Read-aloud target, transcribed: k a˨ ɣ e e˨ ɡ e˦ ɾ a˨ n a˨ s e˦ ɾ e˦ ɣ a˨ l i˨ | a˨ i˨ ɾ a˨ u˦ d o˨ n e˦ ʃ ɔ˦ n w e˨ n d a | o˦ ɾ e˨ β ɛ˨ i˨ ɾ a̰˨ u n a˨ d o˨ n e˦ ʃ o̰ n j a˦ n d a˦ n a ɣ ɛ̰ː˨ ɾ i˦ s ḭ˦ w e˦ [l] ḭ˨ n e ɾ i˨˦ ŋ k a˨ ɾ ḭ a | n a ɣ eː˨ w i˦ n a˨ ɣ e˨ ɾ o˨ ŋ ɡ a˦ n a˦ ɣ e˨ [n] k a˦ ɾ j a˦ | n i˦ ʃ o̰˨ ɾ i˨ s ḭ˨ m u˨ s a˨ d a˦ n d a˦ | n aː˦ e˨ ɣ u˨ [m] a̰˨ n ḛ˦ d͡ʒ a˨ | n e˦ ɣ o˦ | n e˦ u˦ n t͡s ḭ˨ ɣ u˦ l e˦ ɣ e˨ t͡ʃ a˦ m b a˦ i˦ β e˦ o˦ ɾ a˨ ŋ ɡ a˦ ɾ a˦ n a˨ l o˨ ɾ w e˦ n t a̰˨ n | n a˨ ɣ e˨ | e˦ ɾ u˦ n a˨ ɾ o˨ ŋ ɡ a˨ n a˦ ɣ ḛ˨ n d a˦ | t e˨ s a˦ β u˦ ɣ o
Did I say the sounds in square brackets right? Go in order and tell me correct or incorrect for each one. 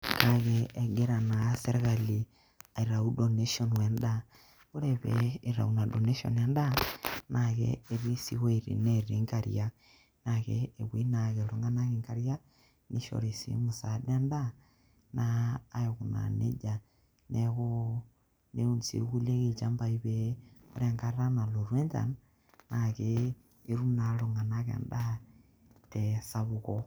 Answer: incorrect: ɾ, incorrect: ŋ, incorrect: n

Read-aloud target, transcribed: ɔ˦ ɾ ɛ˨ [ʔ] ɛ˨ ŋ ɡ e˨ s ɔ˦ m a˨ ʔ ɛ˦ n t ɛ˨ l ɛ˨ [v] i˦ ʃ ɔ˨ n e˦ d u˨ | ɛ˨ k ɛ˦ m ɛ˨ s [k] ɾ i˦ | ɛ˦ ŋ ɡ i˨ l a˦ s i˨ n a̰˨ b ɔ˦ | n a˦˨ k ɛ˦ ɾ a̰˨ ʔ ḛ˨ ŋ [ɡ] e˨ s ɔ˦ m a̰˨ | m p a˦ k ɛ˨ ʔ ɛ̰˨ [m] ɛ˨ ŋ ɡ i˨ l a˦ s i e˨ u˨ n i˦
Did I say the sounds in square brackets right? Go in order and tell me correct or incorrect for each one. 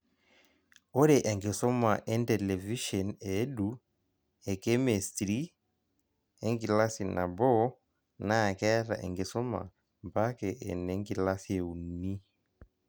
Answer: correct, correct, incorrect: t, correct, incorrect: n

